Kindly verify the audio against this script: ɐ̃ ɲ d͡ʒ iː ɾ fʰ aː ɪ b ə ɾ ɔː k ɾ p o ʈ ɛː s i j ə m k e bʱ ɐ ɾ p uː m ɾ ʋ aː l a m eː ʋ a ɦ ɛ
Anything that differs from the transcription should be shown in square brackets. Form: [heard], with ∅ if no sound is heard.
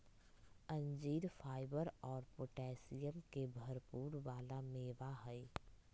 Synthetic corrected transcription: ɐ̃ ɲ d͡ʒ iː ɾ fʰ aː ɪ b ə ɾ ɔː [∅] ɾ p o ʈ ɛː s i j ə m k e bʱ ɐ ɾ p uː [∅] ɾ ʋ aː l a m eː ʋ a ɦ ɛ